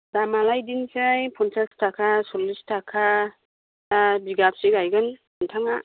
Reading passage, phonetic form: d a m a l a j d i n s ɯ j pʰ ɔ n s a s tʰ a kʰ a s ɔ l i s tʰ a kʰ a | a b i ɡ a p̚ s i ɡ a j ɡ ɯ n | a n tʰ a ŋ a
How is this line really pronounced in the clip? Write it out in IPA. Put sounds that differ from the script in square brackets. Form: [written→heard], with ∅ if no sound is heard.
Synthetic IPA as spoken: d a m a l a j d i n s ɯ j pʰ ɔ n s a s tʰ a kʰ a s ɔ l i s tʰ a kʰ a | a b i ɡ a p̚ s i ɡ a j ɡ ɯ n | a n tʰ a ŋ a